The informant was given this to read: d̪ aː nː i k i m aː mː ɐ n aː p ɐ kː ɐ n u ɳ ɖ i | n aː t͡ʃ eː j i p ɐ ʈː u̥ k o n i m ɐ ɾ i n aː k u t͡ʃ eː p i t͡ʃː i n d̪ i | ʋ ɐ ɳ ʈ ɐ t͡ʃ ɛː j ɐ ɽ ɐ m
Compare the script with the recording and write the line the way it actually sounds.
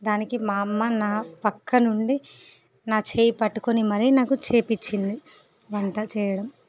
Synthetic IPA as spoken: d̪ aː n i k i m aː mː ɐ n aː p ɐ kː ɐ n u ɳ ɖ i | n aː t͡ʃ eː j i p ɐ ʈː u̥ k o n i m ɐ ɾ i n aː k u t͡ʃ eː p i t͡ʃː i n d̪ i | ʋ ɐ ɳ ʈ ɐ t͡ʃ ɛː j ɐ ɽ ɐ m